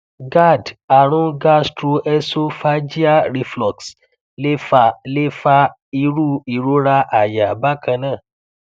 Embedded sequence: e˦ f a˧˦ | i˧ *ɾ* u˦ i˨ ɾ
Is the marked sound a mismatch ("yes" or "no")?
no